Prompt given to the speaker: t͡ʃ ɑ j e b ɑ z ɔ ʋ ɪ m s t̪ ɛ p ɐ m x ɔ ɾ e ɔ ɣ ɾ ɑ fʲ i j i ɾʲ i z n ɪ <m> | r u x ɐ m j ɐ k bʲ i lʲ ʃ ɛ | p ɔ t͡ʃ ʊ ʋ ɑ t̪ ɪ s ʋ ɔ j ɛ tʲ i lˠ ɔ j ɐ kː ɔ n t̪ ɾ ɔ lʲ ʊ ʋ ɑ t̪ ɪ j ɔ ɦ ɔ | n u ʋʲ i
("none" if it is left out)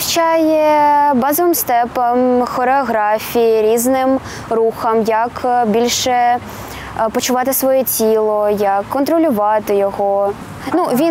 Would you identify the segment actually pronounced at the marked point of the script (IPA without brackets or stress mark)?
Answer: m